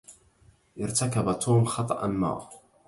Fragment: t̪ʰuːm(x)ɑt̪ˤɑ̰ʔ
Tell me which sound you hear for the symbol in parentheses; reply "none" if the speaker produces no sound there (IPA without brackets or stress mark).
x